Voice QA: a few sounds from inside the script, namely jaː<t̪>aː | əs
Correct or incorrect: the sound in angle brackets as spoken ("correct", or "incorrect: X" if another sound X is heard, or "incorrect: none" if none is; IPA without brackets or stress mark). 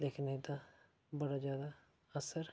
incorrect: d̪